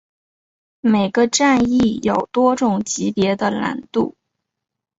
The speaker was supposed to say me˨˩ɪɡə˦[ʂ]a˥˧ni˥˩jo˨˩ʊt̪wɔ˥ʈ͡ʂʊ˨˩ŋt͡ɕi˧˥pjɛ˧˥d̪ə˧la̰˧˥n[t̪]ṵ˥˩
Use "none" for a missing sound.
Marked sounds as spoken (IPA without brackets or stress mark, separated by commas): ʈ͡ʂ, t̪